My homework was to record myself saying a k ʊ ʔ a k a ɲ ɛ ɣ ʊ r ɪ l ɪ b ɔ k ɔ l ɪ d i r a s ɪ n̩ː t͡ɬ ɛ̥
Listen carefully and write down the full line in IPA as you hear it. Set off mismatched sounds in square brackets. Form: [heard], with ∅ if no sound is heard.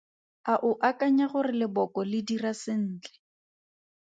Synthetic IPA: a [ʔ] ʊ ʔ a k a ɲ [a] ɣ ʊ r ɪ l ɪ b ɔ k ɔ l ɪ d i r a s ɪ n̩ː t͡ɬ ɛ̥

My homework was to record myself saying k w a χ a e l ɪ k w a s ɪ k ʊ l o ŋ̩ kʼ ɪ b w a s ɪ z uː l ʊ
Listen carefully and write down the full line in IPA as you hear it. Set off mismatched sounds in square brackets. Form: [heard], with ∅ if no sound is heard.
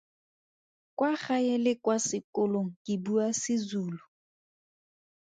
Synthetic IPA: k w a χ a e l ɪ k w a s ɪ k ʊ l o ŋ̩ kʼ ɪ b [u] a s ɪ z uː l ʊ

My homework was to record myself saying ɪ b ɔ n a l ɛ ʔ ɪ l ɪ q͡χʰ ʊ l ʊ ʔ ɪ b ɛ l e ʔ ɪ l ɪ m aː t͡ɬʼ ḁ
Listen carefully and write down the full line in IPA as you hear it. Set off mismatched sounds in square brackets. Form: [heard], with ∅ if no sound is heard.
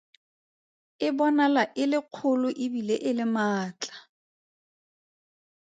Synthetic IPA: ɪ b ɔ n a l [a] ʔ ɪ l ɪ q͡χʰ ʊ l ʊ ʔ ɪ b [i] l e ʔ ɪ l ɪ m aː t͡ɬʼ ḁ

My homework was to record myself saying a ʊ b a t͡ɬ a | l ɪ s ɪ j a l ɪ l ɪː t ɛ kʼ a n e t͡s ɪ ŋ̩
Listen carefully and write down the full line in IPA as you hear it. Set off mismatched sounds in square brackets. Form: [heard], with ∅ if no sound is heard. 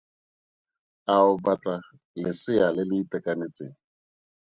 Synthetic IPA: a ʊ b a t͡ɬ a | l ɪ s ɪ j a l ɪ l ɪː t ɛ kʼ a n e t͡s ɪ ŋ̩

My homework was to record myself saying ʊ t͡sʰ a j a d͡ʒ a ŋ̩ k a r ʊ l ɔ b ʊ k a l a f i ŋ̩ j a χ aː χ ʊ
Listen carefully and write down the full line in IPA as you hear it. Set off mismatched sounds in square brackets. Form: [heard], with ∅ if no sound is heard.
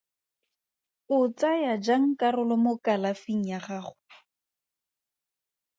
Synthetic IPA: ʊ [t͡s] a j a d͡ʒ a ŋ̩ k a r ʊ l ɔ [m] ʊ k a l a f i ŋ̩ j a χ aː χ ʊ

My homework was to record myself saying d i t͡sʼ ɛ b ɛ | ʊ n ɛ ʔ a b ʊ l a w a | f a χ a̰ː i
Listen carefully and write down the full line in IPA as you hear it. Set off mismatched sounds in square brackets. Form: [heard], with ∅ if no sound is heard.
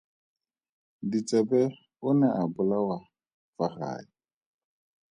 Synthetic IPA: d i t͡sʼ ɛ b ɛ | ʊ n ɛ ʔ a b ʊ l a w a | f a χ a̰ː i

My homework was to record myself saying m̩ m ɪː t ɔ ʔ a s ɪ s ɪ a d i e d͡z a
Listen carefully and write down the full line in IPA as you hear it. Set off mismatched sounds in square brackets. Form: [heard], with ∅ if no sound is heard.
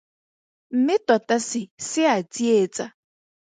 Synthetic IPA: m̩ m [ɪ] t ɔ [t] a s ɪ s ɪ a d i e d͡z a

